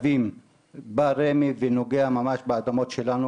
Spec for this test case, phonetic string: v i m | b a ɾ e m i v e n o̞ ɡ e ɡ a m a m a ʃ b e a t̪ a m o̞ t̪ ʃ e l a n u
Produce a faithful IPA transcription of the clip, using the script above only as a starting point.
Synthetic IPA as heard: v i m | b a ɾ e m i v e n o̞ ɡ e a m a m a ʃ b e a d̪ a m o̞ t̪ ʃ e l a n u